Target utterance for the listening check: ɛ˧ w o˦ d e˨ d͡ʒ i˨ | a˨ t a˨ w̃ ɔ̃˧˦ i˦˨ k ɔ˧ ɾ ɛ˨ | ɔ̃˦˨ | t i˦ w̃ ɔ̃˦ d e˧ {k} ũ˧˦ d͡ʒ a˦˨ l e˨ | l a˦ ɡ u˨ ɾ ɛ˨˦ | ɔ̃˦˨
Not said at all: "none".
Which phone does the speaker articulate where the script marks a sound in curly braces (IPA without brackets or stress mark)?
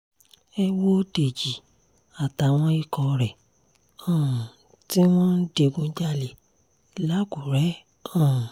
ɡ